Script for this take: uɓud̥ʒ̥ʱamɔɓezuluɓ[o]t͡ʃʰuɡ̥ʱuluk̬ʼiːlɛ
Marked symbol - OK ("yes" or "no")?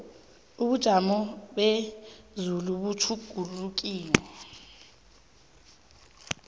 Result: no